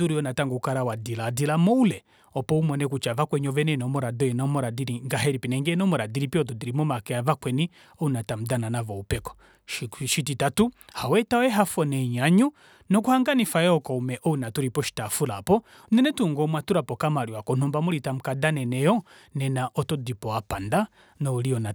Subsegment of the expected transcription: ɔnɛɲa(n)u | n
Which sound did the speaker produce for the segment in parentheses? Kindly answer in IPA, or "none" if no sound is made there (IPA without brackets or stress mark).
ɲ